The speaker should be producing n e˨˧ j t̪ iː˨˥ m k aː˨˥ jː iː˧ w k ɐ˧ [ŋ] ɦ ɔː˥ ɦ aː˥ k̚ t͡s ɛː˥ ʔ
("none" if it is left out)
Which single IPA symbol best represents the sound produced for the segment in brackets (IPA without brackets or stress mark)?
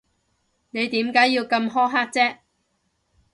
m